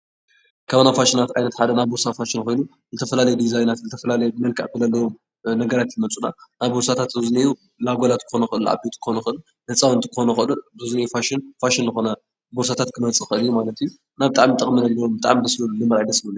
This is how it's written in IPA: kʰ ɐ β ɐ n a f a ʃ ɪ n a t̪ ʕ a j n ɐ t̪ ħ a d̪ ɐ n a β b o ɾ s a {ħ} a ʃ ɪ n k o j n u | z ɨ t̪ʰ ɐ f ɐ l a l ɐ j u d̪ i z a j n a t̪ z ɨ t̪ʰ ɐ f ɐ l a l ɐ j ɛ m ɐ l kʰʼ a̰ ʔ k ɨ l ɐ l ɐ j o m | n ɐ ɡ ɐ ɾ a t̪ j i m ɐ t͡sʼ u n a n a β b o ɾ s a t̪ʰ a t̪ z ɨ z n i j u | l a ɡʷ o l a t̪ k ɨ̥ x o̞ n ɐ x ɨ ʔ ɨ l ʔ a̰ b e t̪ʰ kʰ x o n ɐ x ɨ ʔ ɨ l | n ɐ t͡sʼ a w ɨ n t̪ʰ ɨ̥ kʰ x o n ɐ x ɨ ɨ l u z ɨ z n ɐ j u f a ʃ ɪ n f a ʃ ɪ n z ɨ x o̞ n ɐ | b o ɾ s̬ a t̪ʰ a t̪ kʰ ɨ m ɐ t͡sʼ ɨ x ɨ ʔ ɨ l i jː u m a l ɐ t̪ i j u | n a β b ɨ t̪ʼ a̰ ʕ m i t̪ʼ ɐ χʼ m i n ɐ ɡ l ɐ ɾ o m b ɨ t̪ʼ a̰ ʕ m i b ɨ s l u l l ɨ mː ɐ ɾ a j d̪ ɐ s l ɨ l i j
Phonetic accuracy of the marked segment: incorrect: f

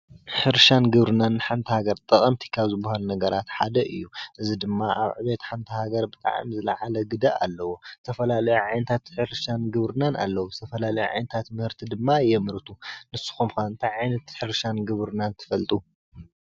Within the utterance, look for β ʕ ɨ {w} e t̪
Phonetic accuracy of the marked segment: incorrect: β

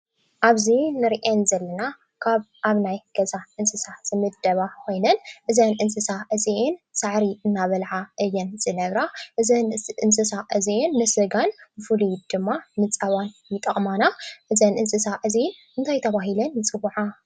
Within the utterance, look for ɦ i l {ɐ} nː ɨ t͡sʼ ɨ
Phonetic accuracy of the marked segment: correct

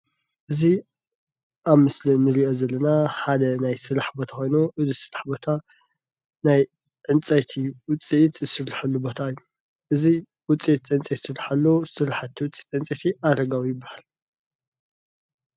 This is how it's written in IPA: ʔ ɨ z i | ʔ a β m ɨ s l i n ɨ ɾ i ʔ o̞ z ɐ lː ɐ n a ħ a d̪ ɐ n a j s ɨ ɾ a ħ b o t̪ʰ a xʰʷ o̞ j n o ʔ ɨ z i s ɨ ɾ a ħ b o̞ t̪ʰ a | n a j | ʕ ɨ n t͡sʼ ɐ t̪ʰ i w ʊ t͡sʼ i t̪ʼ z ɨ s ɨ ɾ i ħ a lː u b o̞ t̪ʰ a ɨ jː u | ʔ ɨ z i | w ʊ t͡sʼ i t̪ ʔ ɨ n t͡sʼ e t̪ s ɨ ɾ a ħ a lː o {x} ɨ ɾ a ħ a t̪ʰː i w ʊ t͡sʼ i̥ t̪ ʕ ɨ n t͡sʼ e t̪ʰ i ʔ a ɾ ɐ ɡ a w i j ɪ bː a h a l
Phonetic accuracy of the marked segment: incorrect: s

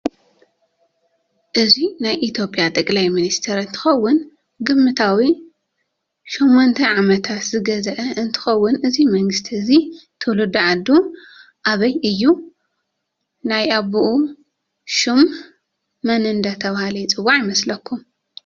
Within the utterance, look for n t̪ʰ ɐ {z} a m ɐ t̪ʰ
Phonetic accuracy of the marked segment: incorrect: ʕ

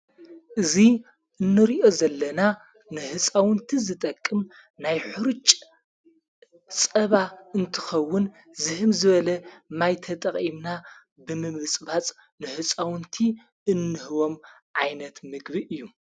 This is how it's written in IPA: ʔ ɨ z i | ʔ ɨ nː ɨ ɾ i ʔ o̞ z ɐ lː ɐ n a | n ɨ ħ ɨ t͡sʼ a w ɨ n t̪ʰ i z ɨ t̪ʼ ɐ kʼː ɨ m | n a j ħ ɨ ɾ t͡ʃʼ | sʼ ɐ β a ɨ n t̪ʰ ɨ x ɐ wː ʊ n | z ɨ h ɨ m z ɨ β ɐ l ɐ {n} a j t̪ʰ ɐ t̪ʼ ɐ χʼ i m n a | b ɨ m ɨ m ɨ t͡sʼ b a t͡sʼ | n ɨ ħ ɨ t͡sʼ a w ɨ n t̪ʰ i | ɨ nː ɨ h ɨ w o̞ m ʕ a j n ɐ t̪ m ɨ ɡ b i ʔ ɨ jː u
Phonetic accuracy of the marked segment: incorrect: m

